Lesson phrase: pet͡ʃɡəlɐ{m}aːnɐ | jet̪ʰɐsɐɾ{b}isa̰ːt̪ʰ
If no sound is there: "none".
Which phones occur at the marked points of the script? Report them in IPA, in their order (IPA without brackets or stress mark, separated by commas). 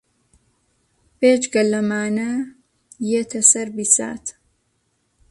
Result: m, b